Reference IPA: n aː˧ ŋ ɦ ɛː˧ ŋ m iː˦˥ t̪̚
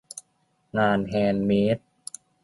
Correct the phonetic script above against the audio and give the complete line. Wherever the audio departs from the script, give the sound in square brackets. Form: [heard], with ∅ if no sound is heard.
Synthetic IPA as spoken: [ŋ] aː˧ [n] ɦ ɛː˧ [n] m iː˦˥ t̪̚

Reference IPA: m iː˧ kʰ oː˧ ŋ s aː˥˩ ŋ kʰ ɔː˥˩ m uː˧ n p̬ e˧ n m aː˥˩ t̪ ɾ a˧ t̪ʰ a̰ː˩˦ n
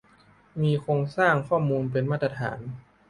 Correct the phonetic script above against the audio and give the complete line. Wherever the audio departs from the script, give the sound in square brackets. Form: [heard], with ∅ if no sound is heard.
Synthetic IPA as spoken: m iː˧ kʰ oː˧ ŋ s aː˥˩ ŋ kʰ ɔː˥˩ m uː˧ n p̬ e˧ n m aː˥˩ t̪ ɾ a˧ t̪ʰ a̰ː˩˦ n

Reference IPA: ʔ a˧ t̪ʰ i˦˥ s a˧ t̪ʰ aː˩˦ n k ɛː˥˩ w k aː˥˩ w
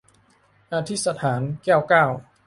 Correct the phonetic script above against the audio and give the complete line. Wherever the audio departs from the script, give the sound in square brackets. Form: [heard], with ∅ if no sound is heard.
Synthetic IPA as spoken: ʔ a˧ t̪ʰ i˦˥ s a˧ t̪ʰ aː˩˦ n k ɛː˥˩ w k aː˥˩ w

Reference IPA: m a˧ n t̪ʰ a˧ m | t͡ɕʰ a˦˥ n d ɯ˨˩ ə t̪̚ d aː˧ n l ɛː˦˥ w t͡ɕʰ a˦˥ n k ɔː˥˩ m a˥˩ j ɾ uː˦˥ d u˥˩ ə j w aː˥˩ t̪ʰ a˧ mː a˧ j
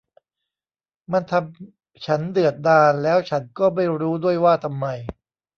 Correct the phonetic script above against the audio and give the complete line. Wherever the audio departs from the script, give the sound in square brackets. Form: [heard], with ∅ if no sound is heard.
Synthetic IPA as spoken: m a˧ n t̪ʰ a˧ m | t͡ɕʰ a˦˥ n d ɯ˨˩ ə t̪̚ d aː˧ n l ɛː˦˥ w t͡ɕʰ a˦˥ n k ɔː˥˩ m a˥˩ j ɾ uː˦˥ d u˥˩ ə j w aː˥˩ t̪ʰ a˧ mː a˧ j

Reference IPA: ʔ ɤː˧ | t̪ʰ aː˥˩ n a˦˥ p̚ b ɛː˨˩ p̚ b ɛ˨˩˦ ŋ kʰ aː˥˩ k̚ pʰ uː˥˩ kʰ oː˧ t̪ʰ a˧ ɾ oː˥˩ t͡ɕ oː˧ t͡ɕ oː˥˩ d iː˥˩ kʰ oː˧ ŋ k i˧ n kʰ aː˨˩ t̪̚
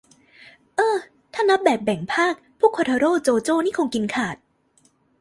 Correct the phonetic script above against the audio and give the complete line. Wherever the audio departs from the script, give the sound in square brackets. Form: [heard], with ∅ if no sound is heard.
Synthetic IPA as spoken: ʔ ɤː˧ | t̪ʰ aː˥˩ n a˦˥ p̚ b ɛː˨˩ p̚ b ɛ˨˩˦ ŋ [pʰ] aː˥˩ k̚ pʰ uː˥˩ kʰ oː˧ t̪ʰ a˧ ɾ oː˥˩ t͡ɕ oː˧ t͡ɕ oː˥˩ [n] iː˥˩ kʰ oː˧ ŋ k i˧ n kʰ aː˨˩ t̪̚

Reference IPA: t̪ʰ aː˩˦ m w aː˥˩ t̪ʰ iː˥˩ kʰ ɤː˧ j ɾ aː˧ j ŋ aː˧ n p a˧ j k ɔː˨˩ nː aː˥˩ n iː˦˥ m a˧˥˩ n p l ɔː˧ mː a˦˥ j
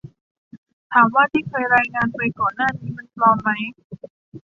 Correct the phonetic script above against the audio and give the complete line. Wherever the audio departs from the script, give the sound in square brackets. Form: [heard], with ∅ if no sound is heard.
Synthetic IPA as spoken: t̪ʰ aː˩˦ m w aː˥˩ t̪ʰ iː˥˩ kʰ ɤː˧ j ɾ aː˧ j ŋ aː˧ n p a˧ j k ɔː˨˩ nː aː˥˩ n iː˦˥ m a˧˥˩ n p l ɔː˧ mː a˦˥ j

